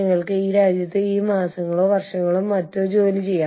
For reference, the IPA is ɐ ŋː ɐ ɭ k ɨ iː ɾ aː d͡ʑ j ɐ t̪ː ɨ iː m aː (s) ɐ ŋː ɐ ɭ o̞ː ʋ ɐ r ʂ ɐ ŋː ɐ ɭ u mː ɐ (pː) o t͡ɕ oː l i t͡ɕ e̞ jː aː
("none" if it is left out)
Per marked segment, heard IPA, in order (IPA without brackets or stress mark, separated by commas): s, tː